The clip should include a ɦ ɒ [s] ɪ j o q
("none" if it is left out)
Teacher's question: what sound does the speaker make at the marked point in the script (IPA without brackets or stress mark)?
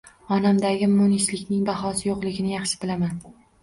s